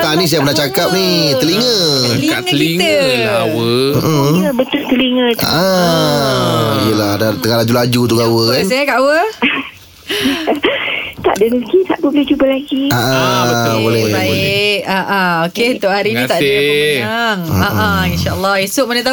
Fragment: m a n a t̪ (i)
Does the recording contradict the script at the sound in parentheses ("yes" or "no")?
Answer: yes